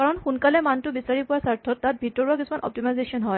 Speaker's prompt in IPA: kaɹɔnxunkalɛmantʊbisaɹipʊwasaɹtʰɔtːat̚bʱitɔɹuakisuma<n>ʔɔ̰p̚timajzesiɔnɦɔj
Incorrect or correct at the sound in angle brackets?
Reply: correct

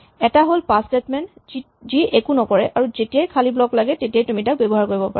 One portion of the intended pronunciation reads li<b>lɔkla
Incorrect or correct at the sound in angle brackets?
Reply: correct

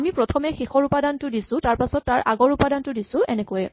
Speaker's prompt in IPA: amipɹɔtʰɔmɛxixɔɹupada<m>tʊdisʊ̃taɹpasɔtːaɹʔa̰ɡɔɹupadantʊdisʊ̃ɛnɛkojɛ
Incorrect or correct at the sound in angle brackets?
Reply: incorrect: n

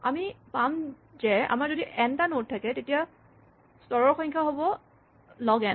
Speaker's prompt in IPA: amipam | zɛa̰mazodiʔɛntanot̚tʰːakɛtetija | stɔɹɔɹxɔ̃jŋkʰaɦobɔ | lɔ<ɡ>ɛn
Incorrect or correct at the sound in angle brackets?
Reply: correct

